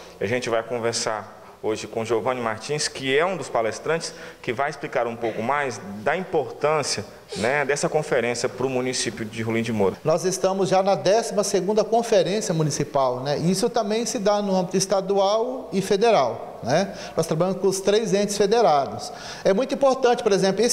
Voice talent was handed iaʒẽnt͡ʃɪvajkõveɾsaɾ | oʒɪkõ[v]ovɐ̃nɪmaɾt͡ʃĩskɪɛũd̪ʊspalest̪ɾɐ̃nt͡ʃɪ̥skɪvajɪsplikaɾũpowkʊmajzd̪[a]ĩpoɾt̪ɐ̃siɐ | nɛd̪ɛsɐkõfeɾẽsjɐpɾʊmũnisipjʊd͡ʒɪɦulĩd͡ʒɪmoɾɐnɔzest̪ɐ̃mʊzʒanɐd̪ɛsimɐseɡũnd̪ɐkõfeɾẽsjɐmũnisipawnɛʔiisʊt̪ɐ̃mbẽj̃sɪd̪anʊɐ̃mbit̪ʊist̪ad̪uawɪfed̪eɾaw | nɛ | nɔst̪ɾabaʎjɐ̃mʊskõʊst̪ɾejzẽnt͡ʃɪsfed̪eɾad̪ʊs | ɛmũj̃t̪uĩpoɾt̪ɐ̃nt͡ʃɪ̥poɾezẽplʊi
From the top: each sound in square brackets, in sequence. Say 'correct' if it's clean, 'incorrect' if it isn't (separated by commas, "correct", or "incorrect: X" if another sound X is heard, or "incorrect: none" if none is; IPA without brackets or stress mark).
incorrect: ʒ, incorrect: ɐ